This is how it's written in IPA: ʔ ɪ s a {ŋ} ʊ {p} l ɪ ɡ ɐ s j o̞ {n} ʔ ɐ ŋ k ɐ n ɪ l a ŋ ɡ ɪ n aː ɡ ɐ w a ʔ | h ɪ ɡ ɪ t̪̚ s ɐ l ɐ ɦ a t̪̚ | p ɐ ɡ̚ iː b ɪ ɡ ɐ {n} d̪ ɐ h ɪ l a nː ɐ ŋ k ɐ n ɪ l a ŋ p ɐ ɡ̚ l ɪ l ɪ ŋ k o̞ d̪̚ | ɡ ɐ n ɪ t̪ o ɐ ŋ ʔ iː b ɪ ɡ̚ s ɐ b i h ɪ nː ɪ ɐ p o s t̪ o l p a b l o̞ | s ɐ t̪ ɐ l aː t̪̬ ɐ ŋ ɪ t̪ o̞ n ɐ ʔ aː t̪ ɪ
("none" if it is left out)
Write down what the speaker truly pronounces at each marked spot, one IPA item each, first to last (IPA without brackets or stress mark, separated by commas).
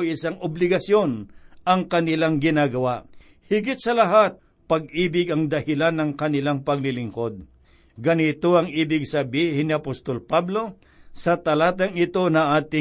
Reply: ŋ, b, n, ŋ